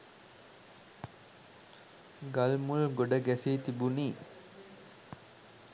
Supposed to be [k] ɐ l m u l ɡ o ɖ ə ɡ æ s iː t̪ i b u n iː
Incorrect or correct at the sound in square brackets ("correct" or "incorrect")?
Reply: incorrect